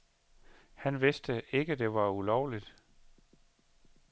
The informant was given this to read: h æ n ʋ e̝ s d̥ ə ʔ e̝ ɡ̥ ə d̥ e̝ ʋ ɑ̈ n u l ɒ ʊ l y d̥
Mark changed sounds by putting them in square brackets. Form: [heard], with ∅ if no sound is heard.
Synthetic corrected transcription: h æ n ʋ e̝ s d̥ ə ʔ e̝ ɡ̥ ə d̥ e̝ ʋ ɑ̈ [∅] u l ɒ ʊ l [i] d̥